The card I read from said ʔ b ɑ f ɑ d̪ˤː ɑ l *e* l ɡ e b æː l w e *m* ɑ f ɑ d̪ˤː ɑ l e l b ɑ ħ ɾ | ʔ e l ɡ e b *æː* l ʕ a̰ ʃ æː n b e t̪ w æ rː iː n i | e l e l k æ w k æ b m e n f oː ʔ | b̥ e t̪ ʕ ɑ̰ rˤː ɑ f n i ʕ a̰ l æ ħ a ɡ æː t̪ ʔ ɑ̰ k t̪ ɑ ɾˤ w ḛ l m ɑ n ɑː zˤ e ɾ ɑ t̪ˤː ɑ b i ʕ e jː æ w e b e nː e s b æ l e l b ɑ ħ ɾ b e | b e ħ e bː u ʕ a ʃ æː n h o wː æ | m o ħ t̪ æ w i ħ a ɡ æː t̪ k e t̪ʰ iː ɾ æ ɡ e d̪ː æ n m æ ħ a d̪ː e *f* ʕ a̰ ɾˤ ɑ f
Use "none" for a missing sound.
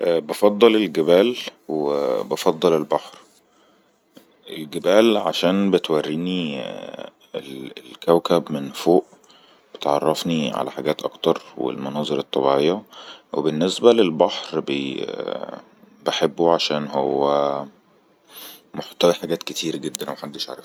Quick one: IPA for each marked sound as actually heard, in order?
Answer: e, b, æː, ʃ

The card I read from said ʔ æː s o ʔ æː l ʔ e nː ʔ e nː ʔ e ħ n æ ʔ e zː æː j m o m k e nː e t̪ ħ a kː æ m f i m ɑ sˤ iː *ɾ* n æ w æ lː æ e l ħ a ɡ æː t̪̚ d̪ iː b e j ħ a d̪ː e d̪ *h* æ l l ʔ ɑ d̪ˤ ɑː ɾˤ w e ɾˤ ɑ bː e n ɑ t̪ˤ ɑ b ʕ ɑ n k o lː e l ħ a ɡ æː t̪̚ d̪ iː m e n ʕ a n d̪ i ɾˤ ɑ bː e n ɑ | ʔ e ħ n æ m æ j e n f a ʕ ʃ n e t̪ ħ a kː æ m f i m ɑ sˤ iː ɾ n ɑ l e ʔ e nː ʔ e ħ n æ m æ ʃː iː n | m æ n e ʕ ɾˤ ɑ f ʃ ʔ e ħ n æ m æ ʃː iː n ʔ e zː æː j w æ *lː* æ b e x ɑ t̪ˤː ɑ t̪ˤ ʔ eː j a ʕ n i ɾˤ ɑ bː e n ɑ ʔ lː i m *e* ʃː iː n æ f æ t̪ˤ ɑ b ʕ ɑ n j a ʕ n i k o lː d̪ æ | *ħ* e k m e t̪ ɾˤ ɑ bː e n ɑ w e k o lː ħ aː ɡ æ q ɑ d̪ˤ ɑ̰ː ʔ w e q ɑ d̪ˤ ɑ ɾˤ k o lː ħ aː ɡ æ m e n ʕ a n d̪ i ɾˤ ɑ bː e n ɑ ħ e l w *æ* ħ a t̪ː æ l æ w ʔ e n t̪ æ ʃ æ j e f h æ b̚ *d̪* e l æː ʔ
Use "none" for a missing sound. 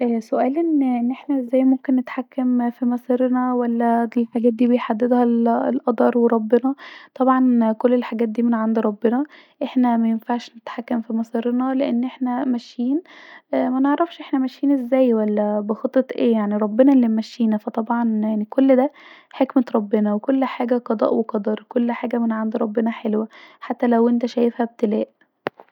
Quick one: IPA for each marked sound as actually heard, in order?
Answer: ɾ, h, lː, æ, ħ, æ, t̪

